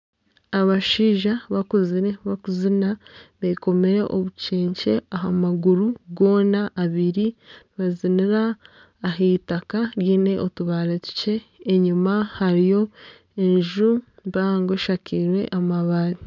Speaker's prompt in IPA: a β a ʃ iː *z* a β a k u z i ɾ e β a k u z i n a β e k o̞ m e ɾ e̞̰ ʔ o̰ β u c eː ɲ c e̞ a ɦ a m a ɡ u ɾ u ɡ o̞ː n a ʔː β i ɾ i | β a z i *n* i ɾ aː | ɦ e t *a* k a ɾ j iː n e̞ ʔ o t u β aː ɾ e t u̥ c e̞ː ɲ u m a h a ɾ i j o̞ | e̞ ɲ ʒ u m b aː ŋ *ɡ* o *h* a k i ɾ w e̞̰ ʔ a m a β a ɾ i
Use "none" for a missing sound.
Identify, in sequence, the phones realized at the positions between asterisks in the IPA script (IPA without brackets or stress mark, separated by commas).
ʒ, n, a, ɡ, ʃ